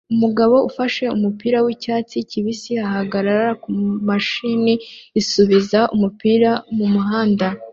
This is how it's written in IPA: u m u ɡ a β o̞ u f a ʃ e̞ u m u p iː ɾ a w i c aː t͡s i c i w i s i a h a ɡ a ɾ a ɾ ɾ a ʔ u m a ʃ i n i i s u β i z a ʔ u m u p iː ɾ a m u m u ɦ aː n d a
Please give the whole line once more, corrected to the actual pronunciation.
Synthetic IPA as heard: u m u ɡ a β o̞ u f a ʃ e̞ u m u p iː ɾ a w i c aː t͡s i c i β i s i a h a ɡ a ɾ a ɾ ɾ a k u m a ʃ i n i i s u β i z a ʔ u m u p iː ɾ a m u m u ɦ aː n d a